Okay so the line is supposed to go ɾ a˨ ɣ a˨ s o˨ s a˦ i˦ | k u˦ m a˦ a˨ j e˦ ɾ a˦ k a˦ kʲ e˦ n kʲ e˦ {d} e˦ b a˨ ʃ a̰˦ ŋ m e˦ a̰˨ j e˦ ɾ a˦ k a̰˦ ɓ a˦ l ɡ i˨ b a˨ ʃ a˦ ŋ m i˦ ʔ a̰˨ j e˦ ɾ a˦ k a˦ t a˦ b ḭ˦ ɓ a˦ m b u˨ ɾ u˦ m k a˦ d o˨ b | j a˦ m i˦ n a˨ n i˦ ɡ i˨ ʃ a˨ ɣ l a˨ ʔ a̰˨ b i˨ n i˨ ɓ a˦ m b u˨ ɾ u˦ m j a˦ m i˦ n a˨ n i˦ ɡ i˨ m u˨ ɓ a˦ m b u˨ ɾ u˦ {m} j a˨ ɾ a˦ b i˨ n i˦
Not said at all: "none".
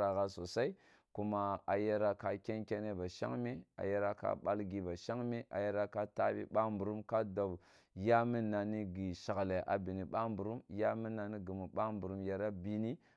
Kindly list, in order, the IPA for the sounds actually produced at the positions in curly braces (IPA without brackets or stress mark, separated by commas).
n, m